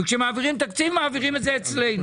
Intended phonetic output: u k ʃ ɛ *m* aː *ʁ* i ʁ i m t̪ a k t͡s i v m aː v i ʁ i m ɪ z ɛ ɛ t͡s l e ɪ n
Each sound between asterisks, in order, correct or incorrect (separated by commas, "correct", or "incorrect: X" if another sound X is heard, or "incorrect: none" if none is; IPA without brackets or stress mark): correct, incorrect: v